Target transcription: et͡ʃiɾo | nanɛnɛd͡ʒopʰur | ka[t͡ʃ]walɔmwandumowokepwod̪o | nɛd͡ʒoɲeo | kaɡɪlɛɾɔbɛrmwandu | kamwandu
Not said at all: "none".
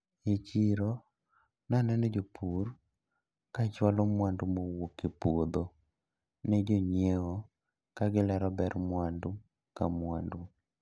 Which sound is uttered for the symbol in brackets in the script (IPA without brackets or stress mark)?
t͡ʃ